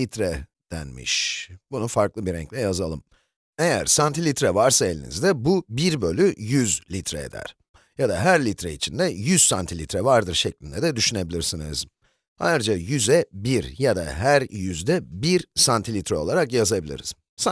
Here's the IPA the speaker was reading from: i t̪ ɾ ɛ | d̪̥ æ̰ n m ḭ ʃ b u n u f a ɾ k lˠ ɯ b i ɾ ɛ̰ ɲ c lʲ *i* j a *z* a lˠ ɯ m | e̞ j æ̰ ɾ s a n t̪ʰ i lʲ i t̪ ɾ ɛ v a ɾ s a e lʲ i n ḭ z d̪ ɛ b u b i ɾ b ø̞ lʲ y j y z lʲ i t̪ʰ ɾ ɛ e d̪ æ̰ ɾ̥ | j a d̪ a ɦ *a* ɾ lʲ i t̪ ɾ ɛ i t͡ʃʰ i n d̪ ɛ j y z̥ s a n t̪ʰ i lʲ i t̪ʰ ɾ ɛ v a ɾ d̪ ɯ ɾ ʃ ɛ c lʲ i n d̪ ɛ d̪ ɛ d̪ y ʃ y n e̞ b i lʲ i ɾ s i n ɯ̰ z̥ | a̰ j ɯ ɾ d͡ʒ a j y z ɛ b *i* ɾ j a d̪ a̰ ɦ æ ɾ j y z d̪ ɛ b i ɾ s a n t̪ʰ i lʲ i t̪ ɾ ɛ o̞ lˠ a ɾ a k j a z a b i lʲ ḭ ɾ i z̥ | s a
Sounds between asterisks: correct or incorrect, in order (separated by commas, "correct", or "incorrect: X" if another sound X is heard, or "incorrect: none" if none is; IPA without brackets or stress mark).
incorrect: ɛ, correct, incorrect: æ, correct